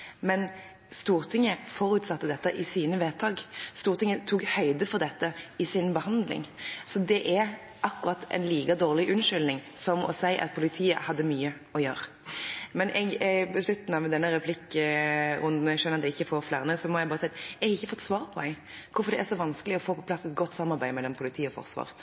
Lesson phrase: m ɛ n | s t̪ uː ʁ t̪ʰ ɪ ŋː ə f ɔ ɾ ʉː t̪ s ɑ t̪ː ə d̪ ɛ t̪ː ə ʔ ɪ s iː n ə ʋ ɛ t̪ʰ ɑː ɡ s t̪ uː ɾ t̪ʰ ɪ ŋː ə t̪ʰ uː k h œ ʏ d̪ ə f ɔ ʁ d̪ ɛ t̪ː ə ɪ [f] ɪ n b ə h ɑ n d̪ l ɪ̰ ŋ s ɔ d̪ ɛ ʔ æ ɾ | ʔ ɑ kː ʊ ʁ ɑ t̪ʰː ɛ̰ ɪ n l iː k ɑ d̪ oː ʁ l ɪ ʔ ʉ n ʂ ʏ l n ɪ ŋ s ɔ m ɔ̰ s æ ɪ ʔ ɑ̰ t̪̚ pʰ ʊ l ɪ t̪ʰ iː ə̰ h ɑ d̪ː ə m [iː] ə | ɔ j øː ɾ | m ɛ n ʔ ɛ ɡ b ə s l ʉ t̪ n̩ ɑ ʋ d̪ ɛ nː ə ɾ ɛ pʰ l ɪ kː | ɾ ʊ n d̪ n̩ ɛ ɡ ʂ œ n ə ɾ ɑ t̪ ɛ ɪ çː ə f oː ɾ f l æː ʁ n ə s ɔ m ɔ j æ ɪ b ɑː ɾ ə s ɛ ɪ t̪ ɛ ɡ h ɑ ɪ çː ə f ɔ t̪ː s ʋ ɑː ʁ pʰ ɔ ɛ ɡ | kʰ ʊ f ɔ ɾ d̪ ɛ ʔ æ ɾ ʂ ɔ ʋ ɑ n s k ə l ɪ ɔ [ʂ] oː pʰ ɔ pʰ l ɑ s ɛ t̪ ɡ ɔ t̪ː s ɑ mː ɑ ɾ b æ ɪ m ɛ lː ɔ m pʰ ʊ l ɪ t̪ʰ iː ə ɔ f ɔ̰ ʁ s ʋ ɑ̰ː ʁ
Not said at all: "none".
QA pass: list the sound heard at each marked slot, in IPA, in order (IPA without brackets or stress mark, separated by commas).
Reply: s, yː, f